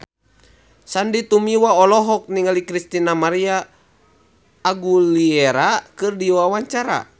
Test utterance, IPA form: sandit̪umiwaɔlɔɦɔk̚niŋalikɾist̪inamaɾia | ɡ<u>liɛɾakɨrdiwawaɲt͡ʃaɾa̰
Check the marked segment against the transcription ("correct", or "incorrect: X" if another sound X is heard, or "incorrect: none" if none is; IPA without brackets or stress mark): correct